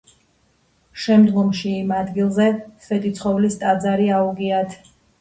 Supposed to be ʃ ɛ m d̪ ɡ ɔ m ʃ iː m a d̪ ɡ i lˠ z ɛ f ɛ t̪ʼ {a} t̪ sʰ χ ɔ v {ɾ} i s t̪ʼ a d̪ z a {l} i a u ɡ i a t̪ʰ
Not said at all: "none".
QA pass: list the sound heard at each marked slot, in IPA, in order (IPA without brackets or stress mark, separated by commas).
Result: i, l, ɾ